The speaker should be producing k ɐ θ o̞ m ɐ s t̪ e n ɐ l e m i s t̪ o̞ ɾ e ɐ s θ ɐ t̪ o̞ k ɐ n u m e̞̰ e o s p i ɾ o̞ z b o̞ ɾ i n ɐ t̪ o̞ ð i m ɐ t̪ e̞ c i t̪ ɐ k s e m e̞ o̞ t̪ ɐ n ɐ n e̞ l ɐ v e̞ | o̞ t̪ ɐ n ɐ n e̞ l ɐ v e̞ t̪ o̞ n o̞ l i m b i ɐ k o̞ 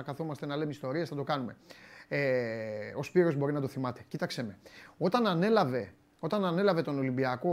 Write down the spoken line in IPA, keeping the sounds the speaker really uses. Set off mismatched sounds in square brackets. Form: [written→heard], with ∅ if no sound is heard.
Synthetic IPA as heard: k ɐ θ o̞ m ɐ s t̪ e n ɐ l e m i s t̪ o̞ ɾ [e→i] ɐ s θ ɐ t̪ o̞ k ɐ n u m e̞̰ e o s p i ɾ o̞ z b o̞ ɾ i n ɐ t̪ o̞ [ð→θ] i m ɐ t̪ e̞ c i t̪ ɐ k s e m e̞ o̞ t̪ ɐ n ɐ n e̞ l ɐ v e̞ | o̞ t̪ ɐ n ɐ n e̞ l ɐ v e̞ t̪ o̞ n o̞ l i m b i ɐ k o̞